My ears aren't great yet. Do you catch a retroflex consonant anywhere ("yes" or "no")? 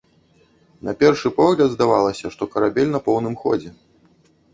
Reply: yes